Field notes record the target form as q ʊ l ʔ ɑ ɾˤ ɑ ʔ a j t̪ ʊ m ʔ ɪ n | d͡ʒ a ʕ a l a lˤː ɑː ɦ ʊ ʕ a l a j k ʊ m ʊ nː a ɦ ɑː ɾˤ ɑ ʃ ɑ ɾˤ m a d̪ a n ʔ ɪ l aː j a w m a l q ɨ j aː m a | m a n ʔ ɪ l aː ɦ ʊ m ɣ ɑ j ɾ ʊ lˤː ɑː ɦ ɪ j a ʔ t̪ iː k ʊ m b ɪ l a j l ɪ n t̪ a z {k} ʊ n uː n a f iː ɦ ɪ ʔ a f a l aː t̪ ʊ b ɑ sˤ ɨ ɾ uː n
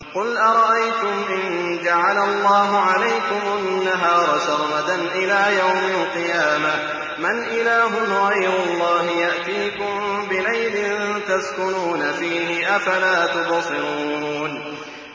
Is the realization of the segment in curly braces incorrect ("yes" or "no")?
no